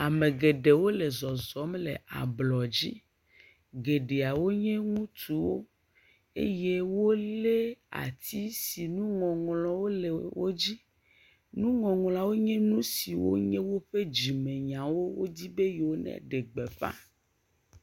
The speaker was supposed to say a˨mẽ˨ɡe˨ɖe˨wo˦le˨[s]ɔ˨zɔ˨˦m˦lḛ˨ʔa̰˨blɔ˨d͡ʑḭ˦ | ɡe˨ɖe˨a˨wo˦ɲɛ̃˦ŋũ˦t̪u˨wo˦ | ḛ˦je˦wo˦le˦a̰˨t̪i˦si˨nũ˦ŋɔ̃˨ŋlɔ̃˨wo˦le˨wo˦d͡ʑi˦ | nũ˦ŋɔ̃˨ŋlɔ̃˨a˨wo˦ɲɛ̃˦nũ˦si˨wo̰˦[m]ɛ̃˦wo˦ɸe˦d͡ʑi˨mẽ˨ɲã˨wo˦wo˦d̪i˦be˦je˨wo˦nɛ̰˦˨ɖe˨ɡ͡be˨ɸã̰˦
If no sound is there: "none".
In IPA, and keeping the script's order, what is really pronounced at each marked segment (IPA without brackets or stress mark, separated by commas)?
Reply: z, ɲ